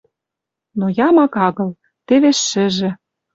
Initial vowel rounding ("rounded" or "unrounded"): rounded